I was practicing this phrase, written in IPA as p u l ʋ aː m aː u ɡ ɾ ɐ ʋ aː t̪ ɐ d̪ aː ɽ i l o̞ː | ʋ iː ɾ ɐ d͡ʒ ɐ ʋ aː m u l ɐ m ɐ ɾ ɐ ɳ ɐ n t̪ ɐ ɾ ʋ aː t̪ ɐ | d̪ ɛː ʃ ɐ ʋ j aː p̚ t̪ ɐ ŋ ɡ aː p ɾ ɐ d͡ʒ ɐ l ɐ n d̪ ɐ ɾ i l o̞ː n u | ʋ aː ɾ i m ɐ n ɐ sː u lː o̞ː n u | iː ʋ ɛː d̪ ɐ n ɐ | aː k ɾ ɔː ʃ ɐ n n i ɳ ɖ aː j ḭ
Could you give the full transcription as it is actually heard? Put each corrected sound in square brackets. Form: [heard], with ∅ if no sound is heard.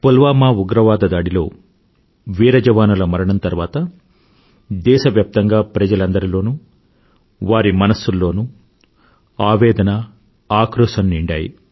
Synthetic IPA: p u l ʋ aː m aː u ɡ ɾ ɐ ʋ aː [d̪] ɐ d̪ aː ɽ i l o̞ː | ʋ iː ɾ ɐ d͡ʒ ɐ ʋ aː [n] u l ɐ m ɐ ɾ ɐ ɳ ɐ n t̪ ɐ ɾ ʋ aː t̪ ɐ | d̪ ɛː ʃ ɐ ʋ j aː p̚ t̪ ɐ ŋ ɡ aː p ɾ ɐ d͡ʒ ɐ l ɐ n d̪ ɐ ɾ i l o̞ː n u | ʋ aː ɾ i m ɐ n ɐ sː u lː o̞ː n u | [aː] ʋ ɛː d̪ ɐ n ɐ | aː k ɾ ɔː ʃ ɐ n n i ɳ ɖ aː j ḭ